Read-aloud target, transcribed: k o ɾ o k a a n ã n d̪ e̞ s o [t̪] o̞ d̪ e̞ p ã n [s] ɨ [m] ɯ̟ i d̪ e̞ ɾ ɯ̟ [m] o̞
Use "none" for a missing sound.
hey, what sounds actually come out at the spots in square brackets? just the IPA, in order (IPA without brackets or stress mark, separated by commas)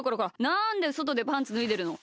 t̪, t͡s, n, n